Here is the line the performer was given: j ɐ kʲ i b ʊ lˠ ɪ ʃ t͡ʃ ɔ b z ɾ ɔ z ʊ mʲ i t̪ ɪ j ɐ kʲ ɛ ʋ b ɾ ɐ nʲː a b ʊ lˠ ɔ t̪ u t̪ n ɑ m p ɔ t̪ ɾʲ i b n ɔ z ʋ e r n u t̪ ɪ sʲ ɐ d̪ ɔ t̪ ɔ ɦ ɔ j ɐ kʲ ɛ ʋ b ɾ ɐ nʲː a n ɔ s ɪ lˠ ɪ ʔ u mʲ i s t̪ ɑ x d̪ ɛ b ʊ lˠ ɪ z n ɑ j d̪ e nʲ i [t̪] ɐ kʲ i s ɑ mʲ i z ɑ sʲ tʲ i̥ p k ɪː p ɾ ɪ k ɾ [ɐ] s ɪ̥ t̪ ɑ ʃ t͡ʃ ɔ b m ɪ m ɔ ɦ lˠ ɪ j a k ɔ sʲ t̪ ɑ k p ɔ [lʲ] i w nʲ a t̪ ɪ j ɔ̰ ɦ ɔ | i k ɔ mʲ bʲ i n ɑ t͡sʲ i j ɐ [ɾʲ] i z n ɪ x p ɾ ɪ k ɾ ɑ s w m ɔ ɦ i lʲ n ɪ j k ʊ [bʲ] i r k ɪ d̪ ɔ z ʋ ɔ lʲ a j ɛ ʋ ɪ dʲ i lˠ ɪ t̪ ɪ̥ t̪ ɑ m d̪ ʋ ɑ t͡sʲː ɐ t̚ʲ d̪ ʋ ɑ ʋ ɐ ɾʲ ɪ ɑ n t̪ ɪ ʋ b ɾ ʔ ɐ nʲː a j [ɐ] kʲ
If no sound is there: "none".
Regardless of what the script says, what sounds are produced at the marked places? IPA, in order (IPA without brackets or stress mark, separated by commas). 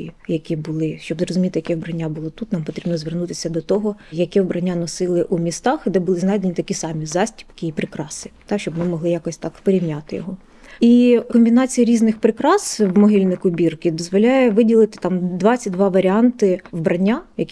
t̪, ɑ, ɾʲ, ɾʲ, bʲ, ɐ